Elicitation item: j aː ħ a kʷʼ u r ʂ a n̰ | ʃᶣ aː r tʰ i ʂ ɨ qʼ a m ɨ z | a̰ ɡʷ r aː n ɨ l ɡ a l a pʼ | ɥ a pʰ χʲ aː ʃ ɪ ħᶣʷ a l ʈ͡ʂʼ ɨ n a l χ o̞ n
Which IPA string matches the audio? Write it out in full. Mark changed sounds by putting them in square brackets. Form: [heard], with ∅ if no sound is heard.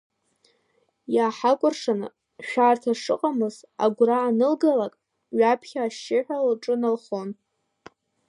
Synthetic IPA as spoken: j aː ħ a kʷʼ [ʊ] r ʂ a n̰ | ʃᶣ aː r tʰ [a] ʂ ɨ qʼ a m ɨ z | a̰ ɡʷ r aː n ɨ l ɡ a l a [kʼ] | ɥ a pʰ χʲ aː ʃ ɪ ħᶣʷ a l ʈ͡ʂʼ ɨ n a l χ o̞ n